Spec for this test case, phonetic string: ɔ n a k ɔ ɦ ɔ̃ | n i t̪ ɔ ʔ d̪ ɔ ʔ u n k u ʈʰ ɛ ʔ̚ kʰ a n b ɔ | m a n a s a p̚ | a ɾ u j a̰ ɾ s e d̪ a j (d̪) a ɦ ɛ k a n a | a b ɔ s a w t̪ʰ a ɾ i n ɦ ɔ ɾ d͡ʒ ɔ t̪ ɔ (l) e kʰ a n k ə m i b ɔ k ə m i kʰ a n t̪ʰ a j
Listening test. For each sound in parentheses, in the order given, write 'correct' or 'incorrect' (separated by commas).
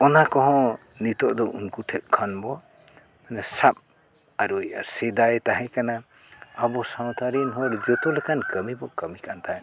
incorrect, correct